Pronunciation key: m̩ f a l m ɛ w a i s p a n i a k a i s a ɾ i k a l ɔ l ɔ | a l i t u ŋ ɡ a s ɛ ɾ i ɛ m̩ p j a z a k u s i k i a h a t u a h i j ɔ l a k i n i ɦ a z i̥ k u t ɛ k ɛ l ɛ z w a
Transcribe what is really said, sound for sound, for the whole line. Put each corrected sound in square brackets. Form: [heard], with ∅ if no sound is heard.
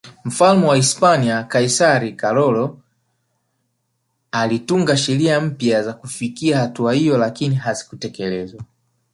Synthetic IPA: m̩ f a l m ɛ w a i s p a n i a k a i s a ɾ i k a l ɔ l ɔ | a l i t u ŋ ɡ a [ʃ] ɛ ɾ i [a] m̩ p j a z a k u [f] i k i a h a t u a h i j ɔ l a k i n i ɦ a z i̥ k u t ɛ k ɛ l ɛ z w a